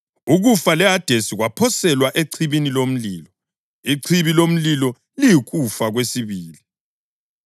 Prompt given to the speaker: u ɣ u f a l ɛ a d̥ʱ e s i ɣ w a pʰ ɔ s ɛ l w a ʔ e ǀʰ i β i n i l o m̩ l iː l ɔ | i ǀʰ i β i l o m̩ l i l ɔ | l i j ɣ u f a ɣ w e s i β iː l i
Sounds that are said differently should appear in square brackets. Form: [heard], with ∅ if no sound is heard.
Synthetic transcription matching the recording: u ɣ u f a l ɛ a d̥ʱ e s i ɣ w a pʰ ɔ s ɛ l w a ʔ e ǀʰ i β i n i l o m̩ l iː l ɔ | i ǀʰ i β i l o m̩ l i l ɔ | l i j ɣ u f a ɣ w e s i β iː l i